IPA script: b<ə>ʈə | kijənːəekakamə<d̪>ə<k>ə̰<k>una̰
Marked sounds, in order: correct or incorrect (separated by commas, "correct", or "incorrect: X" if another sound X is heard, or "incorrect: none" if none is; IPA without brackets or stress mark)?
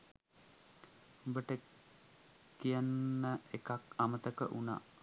correct, incorrect: t̪, correct, incorrect: ʔ